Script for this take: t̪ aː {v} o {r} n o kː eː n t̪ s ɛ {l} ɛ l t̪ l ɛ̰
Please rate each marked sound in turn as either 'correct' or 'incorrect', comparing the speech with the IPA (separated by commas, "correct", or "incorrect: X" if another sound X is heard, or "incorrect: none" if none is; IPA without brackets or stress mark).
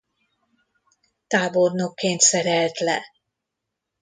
incorrect: b, correct, incorrect: ɾ